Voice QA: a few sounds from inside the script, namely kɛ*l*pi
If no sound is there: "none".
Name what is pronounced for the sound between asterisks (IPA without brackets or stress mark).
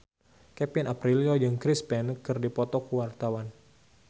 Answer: none